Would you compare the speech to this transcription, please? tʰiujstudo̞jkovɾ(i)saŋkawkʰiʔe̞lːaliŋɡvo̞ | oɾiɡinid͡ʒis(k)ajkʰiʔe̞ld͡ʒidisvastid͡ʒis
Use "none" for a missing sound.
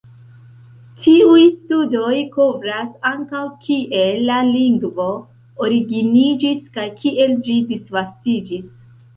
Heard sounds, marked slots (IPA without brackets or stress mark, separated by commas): a, k